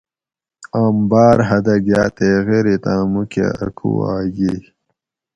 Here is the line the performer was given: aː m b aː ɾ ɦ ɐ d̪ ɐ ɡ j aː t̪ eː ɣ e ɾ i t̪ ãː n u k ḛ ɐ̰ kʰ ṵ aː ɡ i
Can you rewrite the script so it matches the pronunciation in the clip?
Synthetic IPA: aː m b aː ɾ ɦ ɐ d̪ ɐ ɡ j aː t̪ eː ɣ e ɾ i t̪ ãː m u k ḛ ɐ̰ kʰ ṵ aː ɡ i